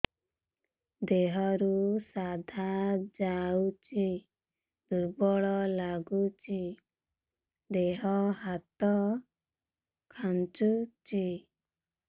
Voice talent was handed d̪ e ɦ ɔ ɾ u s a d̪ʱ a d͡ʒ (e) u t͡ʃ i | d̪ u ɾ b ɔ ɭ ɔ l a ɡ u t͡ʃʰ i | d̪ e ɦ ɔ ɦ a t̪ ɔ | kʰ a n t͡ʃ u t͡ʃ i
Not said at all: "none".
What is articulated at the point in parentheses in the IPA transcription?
a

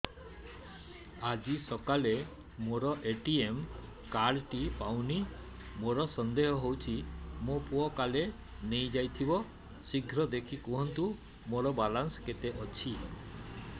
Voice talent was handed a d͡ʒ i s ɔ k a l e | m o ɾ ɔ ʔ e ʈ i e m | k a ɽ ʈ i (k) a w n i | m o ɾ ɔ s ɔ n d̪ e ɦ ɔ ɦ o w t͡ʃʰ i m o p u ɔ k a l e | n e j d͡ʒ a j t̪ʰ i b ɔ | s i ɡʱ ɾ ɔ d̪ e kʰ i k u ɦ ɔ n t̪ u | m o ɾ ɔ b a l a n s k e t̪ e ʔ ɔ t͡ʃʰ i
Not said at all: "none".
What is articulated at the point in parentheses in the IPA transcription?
p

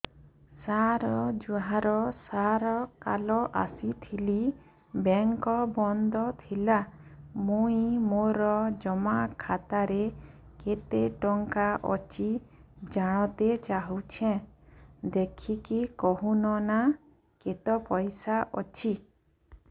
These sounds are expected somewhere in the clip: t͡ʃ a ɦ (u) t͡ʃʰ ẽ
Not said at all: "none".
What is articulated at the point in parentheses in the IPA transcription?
u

